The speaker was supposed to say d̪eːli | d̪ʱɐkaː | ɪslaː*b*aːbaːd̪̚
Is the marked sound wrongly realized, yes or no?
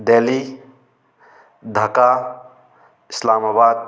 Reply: yes